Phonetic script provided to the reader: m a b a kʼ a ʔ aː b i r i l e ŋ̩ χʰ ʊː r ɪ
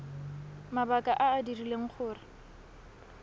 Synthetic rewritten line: m a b a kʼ a ʔ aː d i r i l e ŋ̩ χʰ ʊː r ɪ